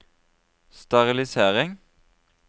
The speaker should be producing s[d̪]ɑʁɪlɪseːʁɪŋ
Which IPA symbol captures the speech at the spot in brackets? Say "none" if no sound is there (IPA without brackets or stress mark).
t̪